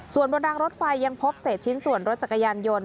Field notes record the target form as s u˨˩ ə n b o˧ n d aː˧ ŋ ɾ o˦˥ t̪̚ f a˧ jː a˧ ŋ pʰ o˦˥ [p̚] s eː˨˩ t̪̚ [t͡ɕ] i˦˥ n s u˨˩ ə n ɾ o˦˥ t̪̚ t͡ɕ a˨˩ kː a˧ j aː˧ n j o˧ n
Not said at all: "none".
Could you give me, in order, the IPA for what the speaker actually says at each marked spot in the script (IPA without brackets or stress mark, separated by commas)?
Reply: p̚, t͡ɕʰ